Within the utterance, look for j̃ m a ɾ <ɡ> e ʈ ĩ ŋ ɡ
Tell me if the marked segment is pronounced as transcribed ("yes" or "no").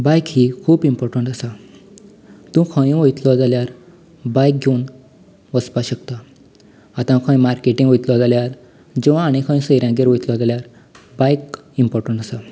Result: no